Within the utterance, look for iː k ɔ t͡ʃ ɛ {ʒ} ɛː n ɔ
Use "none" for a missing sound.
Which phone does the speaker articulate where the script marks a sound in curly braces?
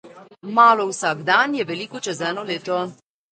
z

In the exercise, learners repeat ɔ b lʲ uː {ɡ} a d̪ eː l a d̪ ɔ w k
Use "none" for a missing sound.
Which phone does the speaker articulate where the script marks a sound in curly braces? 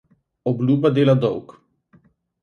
b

